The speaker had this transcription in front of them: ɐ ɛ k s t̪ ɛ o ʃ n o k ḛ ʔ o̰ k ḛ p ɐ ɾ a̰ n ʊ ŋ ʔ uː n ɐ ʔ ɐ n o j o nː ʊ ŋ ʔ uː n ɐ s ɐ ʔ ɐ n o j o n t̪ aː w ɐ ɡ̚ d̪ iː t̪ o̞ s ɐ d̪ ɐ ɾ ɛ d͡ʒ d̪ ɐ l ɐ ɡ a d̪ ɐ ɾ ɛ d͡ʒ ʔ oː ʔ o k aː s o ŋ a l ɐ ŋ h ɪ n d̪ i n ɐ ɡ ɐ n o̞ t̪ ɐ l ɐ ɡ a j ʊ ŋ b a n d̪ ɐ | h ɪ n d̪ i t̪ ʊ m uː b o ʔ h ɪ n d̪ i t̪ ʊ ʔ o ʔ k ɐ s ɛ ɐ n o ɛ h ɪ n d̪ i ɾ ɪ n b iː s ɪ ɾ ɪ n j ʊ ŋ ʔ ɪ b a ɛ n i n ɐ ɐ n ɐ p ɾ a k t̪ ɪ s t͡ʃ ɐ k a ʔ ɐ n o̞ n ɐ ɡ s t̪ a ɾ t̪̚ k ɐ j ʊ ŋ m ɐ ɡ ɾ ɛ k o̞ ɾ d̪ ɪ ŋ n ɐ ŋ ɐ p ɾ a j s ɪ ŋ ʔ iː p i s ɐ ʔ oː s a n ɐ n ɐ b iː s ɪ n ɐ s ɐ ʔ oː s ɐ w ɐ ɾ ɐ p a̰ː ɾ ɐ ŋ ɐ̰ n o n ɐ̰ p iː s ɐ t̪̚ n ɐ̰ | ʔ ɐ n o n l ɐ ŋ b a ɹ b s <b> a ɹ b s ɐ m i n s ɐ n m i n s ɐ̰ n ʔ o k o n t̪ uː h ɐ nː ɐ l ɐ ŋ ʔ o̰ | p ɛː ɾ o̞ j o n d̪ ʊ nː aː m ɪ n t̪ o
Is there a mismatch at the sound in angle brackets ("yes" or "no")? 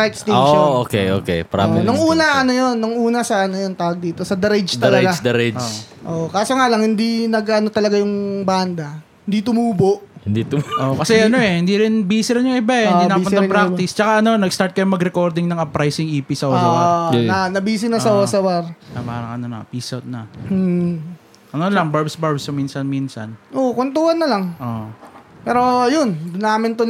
no